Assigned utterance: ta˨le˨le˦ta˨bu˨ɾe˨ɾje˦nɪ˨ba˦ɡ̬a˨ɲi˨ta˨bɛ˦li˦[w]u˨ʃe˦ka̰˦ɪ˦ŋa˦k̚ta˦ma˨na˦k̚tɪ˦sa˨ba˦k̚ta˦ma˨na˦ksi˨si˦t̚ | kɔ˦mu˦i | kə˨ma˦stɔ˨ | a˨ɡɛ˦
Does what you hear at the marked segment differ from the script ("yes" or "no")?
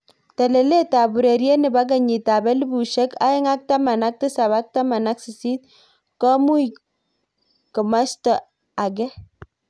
yes